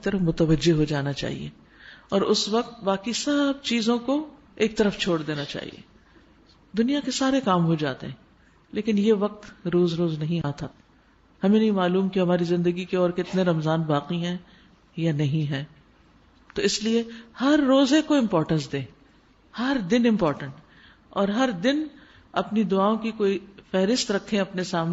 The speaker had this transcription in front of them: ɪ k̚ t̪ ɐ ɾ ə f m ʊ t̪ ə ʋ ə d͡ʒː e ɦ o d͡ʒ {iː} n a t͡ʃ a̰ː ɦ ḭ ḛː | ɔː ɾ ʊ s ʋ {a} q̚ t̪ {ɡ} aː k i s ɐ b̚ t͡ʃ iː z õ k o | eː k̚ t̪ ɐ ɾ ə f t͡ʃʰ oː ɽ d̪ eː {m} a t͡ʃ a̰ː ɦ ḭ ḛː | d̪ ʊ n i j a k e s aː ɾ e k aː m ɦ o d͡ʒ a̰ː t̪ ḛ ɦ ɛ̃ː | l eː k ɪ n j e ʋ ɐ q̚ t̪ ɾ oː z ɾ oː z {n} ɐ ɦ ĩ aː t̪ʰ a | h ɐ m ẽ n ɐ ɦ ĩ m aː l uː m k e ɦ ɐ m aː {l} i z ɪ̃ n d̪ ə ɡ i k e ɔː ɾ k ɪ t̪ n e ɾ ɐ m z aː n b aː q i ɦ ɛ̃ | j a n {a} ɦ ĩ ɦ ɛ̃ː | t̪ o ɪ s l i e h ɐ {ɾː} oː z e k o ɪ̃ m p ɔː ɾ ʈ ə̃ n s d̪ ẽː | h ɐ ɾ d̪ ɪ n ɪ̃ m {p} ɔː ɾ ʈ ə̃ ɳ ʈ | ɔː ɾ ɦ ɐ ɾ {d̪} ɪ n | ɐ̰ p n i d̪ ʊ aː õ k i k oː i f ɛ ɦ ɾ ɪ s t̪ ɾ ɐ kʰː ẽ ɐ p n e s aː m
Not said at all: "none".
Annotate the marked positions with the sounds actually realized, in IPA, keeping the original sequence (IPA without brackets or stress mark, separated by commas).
aː, ɐ, b, n, n, ɾ, ɐ, ɾː, p, d̪